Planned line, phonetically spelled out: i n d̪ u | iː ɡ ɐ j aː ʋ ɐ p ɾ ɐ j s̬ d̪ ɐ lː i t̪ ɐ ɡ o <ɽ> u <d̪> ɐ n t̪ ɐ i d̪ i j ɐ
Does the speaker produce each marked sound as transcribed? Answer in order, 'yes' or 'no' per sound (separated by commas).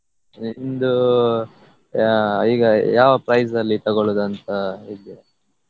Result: no, yes